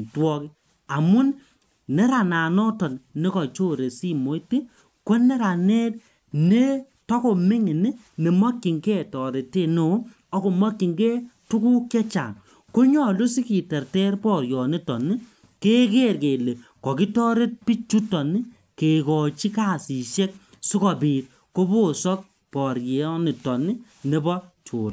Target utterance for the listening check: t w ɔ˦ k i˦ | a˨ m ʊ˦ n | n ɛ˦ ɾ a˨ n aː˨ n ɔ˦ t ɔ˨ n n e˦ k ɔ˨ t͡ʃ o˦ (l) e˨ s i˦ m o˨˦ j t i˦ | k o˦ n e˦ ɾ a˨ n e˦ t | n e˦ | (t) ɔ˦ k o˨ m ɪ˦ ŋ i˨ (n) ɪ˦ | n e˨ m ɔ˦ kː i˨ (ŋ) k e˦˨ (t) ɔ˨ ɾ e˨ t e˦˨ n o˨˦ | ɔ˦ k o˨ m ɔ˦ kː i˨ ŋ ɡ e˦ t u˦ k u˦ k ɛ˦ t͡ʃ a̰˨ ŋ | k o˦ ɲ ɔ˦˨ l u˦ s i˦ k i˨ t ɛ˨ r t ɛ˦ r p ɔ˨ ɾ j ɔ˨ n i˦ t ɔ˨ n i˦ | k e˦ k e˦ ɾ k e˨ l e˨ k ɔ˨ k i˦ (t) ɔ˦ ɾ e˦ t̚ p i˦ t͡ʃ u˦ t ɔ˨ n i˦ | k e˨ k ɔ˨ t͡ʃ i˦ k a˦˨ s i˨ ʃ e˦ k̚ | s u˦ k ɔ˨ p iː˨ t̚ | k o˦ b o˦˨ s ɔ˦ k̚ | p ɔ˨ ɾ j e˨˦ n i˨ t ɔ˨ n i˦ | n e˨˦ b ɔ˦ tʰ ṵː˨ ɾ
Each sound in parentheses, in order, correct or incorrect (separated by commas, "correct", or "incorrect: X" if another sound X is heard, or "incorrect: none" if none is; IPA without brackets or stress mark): incorrect: ɾ, correct, correct, correct, correct, correct